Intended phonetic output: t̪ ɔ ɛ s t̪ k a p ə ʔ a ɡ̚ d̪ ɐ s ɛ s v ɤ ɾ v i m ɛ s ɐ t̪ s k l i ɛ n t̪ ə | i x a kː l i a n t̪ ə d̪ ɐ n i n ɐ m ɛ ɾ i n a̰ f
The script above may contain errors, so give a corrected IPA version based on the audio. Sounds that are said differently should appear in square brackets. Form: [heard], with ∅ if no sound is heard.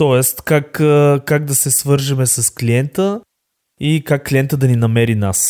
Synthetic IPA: t̪ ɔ ɛ s t̪ k a [k] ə [k] a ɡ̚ d̪ ɐ s ɛ s v ɤ ɾ [ʒ] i m ɛ s ɐ [∅] s k l i ɛ n t̪ ə | i [k] a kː l i [ɛ] n t̪ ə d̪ ɐ n i n ɐ m ɛ ɾ i n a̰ [s]